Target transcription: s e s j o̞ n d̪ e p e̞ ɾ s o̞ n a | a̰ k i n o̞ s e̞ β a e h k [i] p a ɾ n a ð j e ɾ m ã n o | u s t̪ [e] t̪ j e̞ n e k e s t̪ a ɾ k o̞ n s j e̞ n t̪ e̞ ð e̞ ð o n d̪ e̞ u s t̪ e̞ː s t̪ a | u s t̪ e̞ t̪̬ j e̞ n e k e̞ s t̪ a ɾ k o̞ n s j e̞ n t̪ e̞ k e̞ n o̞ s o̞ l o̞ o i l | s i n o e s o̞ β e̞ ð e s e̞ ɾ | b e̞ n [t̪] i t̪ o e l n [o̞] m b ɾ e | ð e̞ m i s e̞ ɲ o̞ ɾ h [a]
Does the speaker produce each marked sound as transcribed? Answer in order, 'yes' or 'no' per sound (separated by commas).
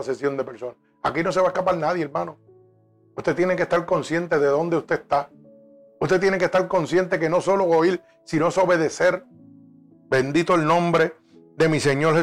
no, yes, no, no, no